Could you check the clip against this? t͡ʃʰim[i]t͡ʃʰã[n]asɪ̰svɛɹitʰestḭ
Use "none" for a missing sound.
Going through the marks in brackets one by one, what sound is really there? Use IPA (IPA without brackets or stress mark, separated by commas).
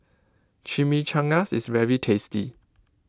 i, ŋ